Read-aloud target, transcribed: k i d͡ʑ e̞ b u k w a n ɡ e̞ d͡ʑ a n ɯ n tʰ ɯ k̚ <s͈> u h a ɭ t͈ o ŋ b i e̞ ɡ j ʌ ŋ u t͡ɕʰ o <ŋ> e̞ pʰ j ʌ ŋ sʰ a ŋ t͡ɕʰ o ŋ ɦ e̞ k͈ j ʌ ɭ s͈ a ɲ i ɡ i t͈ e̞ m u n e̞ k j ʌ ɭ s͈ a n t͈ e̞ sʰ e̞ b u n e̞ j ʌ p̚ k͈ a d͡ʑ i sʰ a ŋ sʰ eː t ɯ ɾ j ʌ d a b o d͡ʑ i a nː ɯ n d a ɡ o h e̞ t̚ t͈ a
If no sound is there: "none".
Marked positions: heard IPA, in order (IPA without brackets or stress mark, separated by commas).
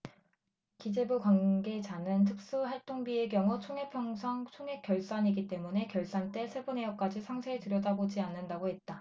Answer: s͈, ŋ